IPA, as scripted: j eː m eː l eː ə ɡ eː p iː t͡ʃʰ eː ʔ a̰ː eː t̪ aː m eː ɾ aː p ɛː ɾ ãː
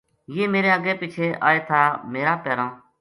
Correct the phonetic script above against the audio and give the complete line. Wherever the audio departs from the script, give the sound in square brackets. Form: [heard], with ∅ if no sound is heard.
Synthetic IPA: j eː m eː [ɾ] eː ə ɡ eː p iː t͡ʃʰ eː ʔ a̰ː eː [t̪ʰ] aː m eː ɾ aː p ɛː ɾ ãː